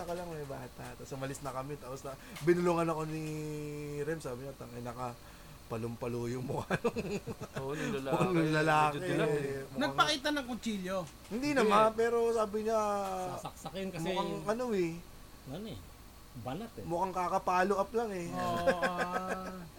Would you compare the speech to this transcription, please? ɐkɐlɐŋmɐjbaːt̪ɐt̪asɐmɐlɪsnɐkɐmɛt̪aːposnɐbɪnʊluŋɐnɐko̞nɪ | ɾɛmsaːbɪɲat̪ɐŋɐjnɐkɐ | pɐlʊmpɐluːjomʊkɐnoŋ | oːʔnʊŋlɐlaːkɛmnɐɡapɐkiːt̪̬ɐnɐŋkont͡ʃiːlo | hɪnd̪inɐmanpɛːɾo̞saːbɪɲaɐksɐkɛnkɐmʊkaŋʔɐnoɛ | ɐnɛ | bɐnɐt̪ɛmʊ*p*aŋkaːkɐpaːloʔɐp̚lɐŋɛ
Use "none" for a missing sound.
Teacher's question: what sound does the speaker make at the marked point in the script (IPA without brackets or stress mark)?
k